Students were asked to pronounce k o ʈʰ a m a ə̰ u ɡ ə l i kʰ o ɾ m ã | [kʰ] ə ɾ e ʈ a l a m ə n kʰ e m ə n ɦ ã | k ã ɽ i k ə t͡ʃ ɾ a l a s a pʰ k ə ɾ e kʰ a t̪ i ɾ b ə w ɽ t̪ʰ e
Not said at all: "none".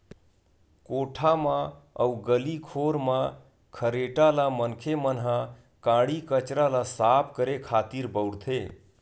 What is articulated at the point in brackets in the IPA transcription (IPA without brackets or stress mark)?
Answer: kʰ